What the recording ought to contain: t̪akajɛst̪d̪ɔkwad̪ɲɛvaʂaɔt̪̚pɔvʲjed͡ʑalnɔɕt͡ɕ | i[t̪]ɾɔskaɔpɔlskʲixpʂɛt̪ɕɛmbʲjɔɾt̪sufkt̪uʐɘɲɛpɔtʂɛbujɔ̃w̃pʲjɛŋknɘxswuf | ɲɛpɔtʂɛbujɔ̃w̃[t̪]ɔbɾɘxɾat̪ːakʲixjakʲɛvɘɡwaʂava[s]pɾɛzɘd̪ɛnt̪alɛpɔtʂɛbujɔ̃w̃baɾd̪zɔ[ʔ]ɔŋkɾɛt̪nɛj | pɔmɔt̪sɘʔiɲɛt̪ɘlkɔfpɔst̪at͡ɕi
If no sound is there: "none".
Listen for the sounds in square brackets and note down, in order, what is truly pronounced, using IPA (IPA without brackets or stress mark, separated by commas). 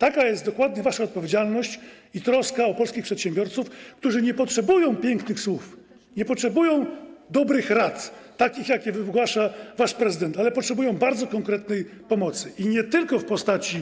t̪, d̪, ʂ, k